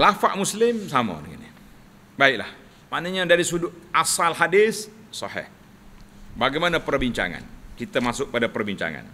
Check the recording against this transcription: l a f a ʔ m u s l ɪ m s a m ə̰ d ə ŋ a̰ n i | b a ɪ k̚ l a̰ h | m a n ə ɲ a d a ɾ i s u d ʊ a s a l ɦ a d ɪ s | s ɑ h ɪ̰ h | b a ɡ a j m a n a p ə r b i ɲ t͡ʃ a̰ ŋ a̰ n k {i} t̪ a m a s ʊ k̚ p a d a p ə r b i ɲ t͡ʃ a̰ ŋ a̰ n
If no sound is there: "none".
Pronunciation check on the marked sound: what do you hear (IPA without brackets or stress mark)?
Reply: i